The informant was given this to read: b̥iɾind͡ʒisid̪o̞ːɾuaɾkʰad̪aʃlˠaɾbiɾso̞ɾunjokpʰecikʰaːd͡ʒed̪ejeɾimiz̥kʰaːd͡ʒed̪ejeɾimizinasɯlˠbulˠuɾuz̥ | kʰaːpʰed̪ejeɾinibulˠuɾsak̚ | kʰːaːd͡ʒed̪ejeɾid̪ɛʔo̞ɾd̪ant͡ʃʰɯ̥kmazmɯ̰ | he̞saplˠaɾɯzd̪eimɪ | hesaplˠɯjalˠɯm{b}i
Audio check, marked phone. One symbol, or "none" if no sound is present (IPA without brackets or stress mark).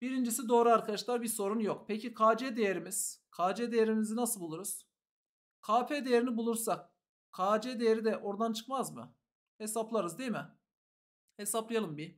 b